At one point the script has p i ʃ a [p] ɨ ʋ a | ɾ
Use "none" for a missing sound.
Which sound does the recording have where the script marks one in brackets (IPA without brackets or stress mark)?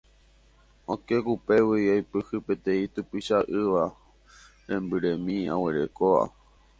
ʔ